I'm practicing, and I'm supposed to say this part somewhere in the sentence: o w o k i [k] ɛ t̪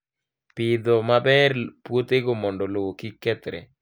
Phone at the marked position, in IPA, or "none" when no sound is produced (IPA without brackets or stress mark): k